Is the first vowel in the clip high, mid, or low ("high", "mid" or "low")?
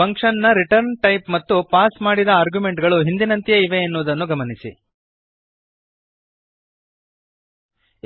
low